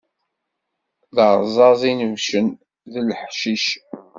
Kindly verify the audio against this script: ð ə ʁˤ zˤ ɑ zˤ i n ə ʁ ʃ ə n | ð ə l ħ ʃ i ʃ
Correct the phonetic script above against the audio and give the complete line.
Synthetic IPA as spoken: ð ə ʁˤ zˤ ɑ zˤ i n ə v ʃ ə n | ð ə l ħ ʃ i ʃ